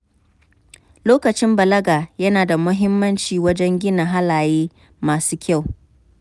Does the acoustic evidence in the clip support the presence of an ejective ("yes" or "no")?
no